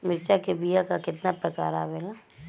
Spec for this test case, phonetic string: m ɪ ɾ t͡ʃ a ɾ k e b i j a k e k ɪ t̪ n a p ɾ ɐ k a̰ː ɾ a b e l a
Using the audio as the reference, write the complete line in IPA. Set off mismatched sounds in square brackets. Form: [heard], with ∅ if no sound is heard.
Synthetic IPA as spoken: m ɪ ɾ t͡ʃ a [∅] k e b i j a k [a] k ɪ t̪ n a p ɾ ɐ k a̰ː ɾ a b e l a